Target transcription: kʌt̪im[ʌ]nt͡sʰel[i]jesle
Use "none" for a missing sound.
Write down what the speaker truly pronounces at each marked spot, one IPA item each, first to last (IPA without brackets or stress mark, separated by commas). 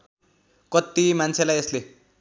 a, a